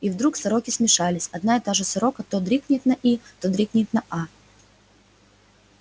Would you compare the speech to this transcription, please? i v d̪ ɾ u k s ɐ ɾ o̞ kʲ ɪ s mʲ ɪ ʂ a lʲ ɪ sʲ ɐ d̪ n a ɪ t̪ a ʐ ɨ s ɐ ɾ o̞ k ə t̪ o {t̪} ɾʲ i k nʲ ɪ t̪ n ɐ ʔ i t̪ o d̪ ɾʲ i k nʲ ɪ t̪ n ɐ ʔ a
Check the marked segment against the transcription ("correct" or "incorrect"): incorrect